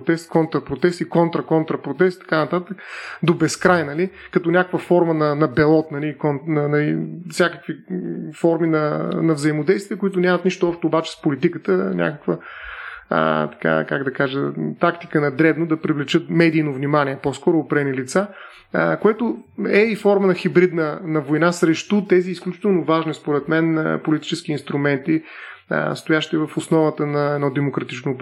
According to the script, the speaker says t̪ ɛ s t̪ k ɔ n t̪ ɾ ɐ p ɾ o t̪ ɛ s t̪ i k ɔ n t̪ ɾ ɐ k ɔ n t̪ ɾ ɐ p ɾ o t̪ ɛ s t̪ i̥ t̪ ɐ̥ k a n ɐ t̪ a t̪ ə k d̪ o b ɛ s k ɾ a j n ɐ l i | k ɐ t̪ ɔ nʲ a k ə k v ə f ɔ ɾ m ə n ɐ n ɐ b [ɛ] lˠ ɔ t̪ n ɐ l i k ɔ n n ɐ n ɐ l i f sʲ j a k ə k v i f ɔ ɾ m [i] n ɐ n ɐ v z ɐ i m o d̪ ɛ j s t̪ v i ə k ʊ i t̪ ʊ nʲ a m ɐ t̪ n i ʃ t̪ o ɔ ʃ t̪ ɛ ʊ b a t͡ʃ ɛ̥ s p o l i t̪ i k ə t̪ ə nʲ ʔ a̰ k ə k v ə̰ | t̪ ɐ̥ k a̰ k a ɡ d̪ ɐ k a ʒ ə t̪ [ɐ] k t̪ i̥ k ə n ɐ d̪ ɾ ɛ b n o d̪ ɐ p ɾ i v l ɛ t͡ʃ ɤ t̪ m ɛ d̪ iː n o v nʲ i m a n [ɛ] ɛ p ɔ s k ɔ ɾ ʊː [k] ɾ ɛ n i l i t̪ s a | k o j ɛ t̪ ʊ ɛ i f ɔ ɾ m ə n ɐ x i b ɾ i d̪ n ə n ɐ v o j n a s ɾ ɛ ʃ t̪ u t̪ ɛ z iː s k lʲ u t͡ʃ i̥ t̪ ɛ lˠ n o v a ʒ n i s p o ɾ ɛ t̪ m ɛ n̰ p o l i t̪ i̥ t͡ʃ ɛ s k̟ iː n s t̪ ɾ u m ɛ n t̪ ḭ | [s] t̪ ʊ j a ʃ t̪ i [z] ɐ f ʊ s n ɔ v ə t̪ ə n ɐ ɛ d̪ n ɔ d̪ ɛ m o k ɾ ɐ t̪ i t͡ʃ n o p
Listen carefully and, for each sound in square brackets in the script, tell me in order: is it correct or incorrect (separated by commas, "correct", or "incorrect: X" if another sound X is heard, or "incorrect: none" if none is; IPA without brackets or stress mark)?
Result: correct, correct, incorrect: a, incorrect: i, incorrect: p, correct, incorrect: v